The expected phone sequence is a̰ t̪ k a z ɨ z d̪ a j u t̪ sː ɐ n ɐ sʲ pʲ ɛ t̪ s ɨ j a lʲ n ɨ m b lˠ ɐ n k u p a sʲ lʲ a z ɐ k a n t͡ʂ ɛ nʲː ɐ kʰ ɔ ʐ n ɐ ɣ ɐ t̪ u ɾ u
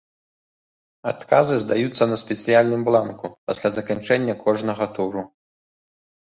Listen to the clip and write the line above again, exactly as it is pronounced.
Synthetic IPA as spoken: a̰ t̪ k a z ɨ z d̪ a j u t̪ sː ɐ n ɐ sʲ pʲ ɛ t̪ s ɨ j a lʲ n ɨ m b lˠ a n k u p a sʲ lʲ a z ɐ k a n t͡ʂ ɛ nʲː ɐ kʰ ɔ ʐ n ɐ ɣ ɐ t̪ u ɾ u